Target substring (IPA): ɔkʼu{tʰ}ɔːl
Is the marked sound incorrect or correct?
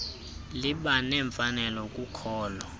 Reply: incorrect